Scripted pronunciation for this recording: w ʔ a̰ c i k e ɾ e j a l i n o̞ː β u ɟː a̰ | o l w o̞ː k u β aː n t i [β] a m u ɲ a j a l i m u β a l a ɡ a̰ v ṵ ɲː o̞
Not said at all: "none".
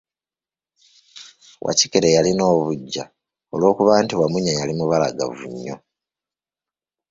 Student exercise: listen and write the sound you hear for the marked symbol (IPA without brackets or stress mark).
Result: w